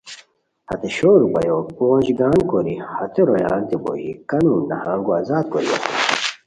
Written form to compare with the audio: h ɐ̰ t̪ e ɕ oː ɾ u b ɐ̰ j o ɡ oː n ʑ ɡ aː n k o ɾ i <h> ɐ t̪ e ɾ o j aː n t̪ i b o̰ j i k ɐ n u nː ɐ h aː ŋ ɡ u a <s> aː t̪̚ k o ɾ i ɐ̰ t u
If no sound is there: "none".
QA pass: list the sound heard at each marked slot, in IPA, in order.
h, z

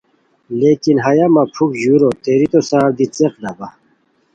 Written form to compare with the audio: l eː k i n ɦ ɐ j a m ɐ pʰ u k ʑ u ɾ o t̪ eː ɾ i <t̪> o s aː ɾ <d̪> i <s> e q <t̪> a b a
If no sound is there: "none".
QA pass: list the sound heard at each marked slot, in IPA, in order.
t̪, d̪, t͡s, d̪

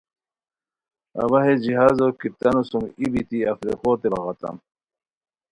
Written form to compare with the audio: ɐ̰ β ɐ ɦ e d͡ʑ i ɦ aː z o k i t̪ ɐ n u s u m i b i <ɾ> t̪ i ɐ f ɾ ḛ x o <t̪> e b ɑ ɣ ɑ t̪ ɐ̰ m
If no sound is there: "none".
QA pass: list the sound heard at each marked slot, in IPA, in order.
none, t̪

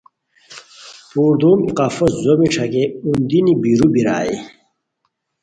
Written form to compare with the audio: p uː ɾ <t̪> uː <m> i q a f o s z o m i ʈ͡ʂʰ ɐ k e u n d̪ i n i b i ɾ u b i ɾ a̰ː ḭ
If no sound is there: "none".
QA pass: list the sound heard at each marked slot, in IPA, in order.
d̪, m

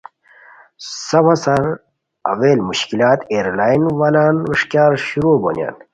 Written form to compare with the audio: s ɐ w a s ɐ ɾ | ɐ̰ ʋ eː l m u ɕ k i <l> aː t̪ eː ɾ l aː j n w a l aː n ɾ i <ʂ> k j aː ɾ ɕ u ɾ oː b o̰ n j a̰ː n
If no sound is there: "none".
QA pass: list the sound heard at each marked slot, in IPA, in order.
l, ʂ

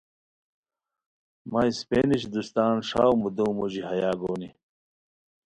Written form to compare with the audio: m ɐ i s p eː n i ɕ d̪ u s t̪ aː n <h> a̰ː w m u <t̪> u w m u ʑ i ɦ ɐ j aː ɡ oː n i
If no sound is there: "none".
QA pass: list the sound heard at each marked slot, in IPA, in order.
ʂ, d̪

